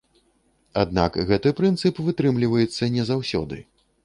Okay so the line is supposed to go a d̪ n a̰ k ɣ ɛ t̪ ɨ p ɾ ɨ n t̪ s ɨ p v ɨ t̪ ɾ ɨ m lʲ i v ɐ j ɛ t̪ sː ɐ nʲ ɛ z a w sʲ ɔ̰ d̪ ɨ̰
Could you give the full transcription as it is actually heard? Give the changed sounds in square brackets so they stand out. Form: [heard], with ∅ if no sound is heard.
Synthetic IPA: a d̪ n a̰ k ɣ ɛ t̪ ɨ p ɾ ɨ n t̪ s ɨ p v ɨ t̪ ɾ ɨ m lʲ i v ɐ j ɛ t̪ sː ɐ nʲ ɛ z a w sʲ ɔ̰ d̪ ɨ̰